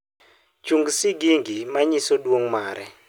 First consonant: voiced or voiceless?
voiceless